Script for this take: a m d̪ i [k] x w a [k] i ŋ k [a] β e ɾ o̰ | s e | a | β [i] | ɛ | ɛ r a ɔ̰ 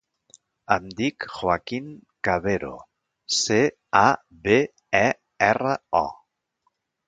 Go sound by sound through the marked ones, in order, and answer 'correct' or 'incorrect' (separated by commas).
correct, correct, correct, incorrect